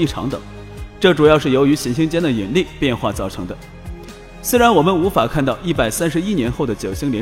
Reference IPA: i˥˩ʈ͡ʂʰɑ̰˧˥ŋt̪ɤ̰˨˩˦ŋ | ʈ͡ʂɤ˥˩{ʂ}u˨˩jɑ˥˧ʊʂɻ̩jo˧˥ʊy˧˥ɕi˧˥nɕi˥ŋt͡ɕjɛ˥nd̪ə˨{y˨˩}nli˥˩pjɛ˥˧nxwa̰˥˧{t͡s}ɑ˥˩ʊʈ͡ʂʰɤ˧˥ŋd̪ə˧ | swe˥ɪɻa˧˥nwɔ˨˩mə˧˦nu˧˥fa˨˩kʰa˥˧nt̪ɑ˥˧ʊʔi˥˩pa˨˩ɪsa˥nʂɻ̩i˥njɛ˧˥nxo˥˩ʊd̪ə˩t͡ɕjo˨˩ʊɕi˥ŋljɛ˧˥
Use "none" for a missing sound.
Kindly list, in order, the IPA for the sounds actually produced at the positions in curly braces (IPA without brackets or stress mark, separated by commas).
ʈ͡ʂ, i˨˩, t͡s